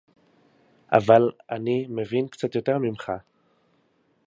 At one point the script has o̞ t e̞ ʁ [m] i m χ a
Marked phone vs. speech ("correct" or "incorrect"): correct